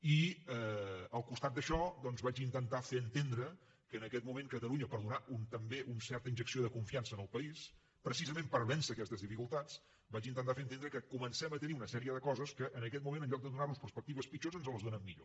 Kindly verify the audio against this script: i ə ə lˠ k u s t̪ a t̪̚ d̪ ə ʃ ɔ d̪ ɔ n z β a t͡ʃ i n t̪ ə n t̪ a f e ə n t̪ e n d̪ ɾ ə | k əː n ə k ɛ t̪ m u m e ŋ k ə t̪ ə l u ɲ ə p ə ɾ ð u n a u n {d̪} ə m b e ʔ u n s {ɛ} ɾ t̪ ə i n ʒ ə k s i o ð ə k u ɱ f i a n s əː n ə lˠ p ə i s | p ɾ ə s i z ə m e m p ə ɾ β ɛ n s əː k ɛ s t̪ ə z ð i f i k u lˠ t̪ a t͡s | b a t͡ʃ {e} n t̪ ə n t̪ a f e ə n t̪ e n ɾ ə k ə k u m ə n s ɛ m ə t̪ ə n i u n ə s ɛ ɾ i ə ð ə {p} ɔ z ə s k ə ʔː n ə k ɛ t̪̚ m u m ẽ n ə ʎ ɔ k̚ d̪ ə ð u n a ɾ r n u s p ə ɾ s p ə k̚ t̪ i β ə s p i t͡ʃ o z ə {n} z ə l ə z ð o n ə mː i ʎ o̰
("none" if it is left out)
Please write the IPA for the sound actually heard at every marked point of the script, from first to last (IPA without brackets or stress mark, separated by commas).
t̪, ɛ, i, k, n